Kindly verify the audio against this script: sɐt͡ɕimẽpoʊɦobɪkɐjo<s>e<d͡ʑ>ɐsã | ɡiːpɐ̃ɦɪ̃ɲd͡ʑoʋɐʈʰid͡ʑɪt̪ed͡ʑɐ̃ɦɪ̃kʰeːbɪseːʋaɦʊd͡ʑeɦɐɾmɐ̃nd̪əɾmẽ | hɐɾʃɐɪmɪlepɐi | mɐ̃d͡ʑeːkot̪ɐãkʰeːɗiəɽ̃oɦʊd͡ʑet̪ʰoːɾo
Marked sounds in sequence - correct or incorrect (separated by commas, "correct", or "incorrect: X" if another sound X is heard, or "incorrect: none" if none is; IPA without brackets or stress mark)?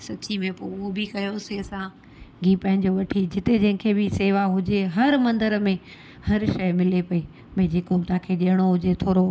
correct, incorrect: none